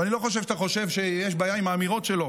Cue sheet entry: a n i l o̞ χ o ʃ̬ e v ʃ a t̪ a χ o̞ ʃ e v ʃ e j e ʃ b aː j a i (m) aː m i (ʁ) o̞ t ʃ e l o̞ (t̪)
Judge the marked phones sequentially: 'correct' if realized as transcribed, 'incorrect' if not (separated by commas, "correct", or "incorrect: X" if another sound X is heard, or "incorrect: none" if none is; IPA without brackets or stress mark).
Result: correct, correct, incorrect: none